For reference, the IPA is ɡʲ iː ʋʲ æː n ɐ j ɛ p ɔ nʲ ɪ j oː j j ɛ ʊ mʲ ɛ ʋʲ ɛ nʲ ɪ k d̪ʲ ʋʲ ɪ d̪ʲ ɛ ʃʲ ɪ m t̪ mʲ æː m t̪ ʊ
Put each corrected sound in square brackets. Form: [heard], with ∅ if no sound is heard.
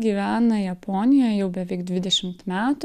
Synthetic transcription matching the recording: ɡʲ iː ʋʲ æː n ɐ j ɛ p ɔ nʲ ɪ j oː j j ɛ ʊ [bʲ] ɛ ʋʲ ɛ [∅] ɪ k d̪ʲ ʋʲ ɪ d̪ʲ ɛ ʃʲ ɪ m t̪ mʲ æː [∅] t̪ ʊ